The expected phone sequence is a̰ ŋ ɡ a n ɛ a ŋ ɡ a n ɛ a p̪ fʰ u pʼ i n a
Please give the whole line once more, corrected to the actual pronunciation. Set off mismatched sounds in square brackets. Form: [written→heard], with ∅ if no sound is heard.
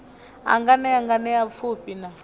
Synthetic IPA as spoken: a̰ ŋ ɡ a n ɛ a ŋ ɡ a n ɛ a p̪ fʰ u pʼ i n a